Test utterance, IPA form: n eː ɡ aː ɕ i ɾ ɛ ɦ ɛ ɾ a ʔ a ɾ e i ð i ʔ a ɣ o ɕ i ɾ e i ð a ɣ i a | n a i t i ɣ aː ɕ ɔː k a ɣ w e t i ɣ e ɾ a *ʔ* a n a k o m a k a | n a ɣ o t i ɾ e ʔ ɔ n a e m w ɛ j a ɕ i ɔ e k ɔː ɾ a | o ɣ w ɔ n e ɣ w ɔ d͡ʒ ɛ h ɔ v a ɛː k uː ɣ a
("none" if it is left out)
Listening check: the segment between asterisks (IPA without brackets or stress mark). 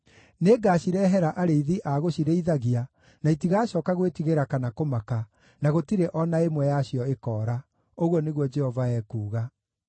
k